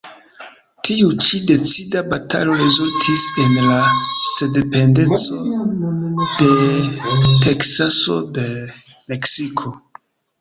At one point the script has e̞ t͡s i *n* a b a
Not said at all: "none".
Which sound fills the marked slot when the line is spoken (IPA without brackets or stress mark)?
d